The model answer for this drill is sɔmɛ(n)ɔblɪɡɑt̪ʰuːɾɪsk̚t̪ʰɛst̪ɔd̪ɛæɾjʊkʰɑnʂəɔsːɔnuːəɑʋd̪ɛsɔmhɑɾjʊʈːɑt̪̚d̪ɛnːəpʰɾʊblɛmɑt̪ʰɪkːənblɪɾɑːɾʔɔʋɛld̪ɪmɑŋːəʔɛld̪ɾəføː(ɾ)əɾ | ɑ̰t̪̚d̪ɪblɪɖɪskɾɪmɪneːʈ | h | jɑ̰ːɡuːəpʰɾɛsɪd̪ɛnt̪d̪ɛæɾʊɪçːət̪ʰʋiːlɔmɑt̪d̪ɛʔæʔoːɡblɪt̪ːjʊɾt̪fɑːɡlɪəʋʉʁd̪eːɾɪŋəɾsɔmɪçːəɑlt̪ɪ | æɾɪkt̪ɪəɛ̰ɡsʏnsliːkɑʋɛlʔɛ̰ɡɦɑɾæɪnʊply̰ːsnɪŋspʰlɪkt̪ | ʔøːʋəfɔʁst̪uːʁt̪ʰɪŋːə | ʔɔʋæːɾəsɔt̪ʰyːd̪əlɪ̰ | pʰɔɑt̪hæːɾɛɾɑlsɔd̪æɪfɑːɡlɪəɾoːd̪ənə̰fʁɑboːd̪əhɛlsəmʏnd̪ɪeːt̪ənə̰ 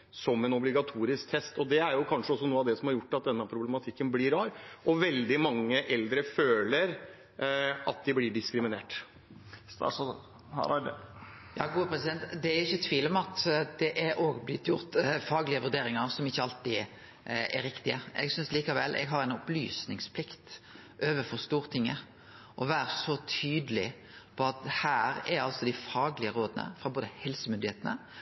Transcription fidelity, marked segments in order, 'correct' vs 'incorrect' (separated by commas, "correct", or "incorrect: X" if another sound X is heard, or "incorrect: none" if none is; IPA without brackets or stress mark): correct, incorrect: l